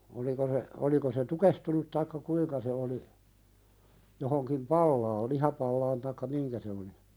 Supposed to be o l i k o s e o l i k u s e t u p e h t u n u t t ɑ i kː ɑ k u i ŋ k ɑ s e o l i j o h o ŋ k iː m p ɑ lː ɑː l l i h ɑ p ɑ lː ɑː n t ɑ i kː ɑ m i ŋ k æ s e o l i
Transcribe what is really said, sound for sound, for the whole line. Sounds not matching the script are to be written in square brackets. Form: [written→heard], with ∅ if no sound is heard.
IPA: o l i k o s e o l i k [u→o] s e t u [p→k] e h t u n u t t ɑ i kː ɑ k u i ŋ k ɑ s e o l i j o h o ŋ k [iː→i] m p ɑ lː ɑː l l i h ɑ p ɑ lː ɑː n t ɑ i kː ɑ m i ŋ k æ s e o l i